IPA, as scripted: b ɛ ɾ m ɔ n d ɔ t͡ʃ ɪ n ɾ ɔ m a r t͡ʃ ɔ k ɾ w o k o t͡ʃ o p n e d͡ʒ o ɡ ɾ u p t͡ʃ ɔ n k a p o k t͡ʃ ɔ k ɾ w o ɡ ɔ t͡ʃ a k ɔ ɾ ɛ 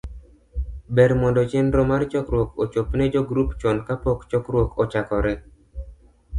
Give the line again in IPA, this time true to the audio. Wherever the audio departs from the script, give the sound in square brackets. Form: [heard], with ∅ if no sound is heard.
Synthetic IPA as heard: b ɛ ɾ m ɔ n d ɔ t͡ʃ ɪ n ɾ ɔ m a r t͡ʃ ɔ k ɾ w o k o t͡ʃ o p n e d͡ʒ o ɡ ɾ u p t͡ʃ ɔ n k a p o k t͡ʃ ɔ k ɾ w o [k] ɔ t͡ʃ a k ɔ ɾ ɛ